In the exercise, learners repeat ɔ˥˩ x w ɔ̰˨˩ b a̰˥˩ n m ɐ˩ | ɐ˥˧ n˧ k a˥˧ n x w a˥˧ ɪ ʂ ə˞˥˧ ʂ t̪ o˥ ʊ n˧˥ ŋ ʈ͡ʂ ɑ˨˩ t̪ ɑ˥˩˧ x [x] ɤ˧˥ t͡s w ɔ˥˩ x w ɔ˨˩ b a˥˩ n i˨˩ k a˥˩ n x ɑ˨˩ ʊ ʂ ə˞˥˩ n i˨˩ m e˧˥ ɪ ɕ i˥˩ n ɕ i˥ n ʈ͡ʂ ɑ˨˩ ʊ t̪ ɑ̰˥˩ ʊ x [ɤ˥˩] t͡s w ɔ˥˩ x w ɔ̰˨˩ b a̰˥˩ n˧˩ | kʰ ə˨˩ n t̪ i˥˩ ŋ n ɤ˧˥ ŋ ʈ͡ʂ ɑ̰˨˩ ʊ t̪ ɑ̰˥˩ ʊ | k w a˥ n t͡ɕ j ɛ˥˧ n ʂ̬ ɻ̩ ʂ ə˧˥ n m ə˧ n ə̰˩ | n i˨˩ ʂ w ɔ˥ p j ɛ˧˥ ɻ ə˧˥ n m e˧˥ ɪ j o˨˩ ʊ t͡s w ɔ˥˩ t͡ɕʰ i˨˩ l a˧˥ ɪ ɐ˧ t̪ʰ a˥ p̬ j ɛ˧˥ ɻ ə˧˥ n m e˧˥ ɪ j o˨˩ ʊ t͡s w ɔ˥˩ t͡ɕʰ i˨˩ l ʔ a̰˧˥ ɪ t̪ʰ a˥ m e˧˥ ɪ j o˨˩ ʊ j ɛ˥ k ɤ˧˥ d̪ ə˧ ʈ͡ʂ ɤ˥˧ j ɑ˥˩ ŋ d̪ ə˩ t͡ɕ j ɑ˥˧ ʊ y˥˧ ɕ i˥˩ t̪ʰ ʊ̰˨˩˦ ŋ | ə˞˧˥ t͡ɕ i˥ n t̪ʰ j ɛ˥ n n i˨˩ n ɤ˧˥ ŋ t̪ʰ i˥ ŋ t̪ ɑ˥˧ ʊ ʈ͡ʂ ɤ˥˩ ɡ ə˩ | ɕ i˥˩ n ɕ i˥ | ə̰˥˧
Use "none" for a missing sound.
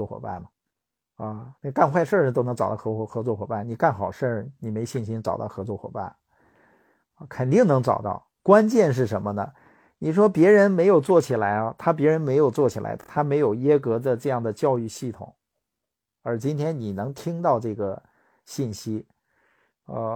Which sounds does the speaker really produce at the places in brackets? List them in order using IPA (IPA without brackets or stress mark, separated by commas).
x, ɤ˧˥